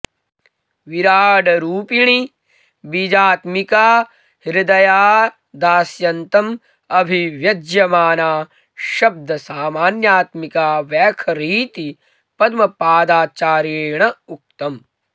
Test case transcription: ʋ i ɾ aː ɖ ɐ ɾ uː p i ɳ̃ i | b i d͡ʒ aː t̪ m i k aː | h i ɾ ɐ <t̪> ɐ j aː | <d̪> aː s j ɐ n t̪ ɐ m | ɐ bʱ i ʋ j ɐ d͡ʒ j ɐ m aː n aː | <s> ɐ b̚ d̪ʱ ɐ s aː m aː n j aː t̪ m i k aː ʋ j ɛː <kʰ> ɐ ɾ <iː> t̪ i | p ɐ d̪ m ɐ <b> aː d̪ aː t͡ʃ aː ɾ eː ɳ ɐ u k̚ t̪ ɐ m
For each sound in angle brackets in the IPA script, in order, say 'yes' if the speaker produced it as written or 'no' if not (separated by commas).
no, yes, no, yes, yes, no